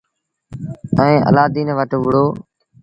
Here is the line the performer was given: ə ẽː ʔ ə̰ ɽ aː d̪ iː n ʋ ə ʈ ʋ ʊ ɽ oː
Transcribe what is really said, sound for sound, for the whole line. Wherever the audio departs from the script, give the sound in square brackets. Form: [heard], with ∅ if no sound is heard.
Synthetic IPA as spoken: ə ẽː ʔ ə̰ [l] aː d̪ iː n ʋ ə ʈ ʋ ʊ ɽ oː